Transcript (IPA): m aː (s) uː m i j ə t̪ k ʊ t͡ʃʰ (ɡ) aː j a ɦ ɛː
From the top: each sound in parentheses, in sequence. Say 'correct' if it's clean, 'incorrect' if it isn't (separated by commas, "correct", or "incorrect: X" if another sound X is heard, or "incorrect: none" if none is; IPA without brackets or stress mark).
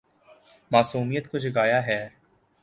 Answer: correct, correct